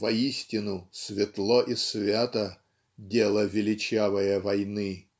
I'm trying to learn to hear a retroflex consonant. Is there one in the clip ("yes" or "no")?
no